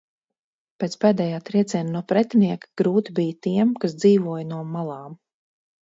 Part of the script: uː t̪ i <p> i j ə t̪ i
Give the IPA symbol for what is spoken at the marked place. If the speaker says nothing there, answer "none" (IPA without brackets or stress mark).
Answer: b